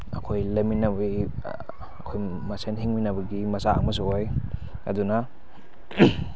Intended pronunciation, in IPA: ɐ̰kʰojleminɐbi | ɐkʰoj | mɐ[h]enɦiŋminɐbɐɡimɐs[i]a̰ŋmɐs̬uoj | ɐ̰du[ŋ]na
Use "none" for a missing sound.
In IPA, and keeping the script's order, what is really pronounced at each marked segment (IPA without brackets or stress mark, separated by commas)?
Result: s, a, none